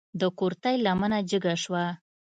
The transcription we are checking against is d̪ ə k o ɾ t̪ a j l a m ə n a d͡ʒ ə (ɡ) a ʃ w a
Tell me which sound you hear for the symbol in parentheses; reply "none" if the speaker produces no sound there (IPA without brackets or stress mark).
ɡ